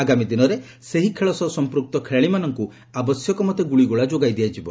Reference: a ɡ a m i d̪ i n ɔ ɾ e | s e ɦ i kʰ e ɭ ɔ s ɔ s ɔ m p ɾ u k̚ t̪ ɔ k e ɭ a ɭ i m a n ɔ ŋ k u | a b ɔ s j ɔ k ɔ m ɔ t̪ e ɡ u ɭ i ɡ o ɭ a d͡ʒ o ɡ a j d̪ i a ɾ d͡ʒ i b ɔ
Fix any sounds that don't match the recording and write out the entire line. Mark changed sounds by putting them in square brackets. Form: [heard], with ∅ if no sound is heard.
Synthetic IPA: a ɡ a m i d̪ i n ɔ ɾ e | s e ɦ i kʰ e ɭ ɔ s ɔ s ɔ m p ɾ u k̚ t̪ ɔ [kʰ] e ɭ a ɭ i m a n ɔ ŋ k u | a b ɔ s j ɔ k ɔ m ɔ t̪ e ɡ u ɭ i ɡ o ɭ a d͡ʒ o ɡ a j d̪ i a [∅] d͡ʒ i b ɔ